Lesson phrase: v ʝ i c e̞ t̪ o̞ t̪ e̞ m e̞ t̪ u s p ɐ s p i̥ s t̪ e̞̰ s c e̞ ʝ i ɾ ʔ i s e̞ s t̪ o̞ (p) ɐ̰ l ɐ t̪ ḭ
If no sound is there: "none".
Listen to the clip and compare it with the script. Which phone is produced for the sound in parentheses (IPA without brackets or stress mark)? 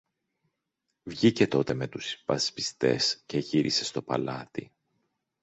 p